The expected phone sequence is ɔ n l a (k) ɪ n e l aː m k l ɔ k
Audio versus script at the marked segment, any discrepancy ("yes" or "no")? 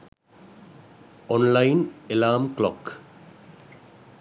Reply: yes